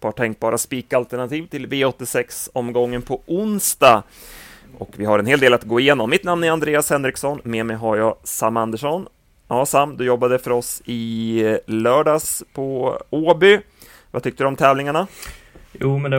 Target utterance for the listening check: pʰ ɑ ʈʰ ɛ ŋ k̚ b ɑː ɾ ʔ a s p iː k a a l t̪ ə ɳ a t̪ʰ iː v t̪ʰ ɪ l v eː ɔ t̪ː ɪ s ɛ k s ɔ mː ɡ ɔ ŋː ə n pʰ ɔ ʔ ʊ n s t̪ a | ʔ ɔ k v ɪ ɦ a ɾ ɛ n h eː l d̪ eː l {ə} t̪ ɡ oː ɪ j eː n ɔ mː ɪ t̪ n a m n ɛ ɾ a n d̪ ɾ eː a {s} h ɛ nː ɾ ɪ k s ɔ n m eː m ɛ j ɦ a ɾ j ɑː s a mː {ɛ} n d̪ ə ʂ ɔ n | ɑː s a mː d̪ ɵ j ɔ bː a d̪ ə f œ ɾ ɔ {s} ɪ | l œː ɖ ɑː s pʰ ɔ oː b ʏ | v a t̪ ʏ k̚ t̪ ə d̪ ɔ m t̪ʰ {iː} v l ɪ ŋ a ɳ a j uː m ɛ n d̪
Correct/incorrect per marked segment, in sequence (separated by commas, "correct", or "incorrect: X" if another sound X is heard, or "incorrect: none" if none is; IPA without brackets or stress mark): incorrect: a, correct, incorrect: a, correct, incorrect: ɛː